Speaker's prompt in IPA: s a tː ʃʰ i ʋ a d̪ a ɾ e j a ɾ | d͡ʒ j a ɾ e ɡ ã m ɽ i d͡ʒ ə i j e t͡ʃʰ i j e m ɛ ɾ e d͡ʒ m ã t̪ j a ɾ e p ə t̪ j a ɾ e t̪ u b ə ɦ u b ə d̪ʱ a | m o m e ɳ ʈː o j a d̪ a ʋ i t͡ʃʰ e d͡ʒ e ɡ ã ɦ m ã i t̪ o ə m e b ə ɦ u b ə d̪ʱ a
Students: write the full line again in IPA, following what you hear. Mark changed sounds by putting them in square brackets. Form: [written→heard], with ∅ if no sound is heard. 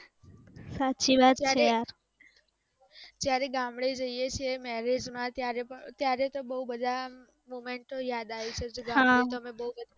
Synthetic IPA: s a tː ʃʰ i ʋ a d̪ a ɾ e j a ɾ | d͡ʒ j a ɾ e ɡ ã m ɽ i d͡ʒ ə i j e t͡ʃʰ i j e m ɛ ɾ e d͡ʒ m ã t̪ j a ɾ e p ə t̪ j a ɾ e t̪ [u→o] b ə ɦ u b ə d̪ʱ a | m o m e ɳ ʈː o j a d̪ a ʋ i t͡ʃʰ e d͡ʒ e ɡ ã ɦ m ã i t̪ o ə m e b ə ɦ u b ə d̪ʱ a

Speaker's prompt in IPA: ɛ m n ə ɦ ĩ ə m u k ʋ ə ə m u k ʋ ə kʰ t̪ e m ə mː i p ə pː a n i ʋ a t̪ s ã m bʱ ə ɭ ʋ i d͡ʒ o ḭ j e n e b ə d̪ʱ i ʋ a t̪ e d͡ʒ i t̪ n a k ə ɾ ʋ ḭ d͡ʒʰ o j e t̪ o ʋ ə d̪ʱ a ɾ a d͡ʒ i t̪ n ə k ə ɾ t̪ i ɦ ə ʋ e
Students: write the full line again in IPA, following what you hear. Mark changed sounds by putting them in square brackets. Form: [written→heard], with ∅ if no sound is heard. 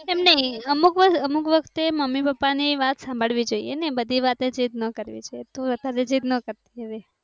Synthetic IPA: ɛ m n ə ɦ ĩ ə m u k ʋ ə ə m u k ʋ ə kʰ t̪ e m ə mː i p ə pː a n i ʋ a t̪ s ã m bʱ ə ɭ ʋ i d͡ʒ o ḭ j e n e b ə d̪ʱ i ʋ a t̪ e d͡ʒ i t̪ n [a→ə] k ə ɾ ʋ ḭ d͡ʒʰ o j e t̪ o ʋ ə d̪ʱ a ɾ [a→e] d͡ʒ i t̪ n ə k ə ɾ t̪ i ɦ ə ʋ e

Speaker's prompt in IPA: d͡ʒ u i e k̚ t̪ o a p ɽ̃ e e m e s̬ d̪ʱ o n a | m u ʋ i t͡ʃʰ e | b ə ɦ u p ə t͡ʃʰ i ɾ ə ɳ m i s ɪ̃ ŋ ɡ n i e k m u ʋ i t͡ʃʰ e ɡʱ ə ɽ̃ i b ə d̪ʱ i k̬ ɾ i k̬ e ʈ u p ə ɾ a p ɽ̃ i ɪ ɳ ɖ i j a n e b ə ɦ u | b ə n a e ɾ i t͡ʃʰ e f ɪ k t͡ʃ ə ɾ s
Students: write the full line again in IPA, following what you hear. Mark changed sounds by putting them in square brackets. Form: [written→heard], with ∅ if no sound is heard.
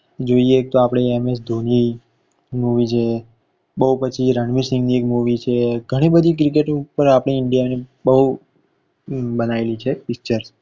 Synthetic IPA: d͡ʒ [u→o] i e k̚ t̪ o a p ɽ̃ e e m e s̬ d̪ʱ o n [a→i] | m u ʋ i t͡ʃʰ e | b ə ɦ u p ə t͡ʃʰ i ɾ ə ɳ m i s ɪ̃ ŋ ɡ n i e k m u ʋ i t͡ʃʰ e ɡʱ ə ɽ̃ i b ə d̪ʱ i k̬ ɾ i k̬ e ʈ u p ə ɾ a p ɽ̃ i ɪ ɳ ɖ i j a n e b ə ɦ u | b ə n a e [ɾ→l] i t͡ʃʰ e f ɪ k t͡ʃ ə ɾ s

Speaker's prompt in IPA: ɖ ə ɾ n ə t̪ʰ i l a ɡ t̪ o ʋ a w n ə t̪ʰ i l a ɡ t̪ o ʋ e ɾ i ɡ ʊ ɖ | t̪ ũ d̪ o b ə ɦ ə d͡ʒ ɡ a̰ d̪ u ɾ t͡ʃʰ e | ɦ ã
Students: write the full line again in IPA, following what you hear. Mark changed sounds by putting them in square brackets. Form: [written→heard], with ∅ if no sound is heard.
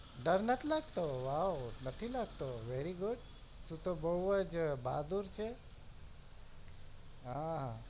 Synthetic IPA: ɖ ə ɾ n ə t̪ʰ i l a ɡ t̪ o ʋ a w n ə t̪ʰ i l a ɡ t̪ o ʋ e ɾ i ɡ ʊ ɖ | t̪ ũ [d̪→t̪] o b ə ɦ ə d͡ʒ [ɡ→b] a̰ d̪ u ɾ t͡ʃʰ e | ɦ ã

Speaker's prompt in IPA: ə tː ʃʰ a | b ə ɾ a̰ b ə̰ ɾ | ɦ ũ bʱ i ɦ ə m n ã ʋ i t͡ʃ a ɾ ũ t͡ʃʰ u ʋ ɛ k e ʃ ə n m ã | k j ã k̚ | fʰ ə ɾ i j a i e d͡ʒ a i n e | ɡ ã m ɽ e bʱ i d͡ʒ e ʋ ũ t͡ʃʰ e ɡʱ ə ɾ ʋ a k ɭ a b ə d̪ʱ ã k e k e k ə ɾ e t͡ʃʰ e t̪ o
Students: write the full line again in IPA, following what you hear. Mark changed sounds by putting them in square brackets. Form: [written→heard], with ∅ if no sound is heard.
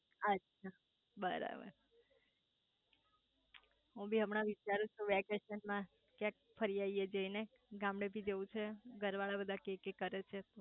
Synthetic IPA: ə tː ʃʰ a | b ə ɾ a̰ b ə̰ ɾ | ɦ ũ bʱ i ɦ ə m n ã ʋ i t͡ʃ a ɾ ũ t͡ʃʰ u ʋ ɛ k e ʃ ə n m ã | k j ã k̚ | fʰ ə ɾ i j a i e d͡ʒ [a→ə] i n e | ɡ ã m ɽ e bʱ i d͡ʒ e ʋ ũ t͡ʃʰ e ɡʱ ə ɾ ʋ a [k→∅] ɭ a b ə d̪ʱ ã k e k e k ə ɾ e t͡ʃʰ e t̪ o

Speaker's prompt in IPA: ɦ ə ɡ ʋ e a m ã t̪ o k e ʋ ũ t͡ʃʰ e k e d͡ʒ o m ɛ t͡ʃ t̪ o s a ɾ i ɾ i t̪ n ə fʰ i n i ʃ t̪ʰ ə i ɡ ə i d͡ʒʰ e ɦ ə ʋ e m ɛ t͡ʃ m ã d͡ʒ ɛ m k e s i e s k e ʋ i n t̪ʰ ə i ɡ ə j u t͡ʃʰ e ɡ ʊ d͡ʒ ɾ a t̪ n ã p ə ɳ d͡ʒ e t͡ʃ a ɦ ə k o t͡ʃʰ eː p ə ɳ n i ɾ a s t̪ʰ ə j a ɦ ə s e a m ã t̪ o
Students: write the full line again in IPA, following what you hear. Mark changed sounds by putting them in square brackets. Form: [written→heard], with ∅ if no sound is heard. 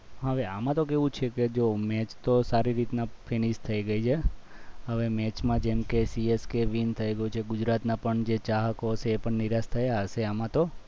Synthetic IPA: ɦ ə [ɡ→∅] ʋ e a m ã t̪ o k e ʋ ũ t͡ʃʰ e k e d͡ʒ o m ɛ t͡ʃ t̪ o s a ɾ i ɾ i t̪ n [ə→a] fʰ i n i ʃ t̪ʰ ə i ɡ ə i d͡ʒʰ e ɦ ə ʋ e m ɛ t͡ʃ m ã d͡ʒ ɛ m k e s i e s k e ʋ i n t̪ʰ ə i ɡ ə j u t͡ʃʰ e ɡ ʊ d͡ʒ ɾ a t̪ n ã p ə ɳ d͡ʒ e t͡ʃ a ɦ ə k o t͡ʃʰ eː p ə ɳ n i ɾ a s t̪ʰ ə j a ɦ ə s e a m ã t̪ o

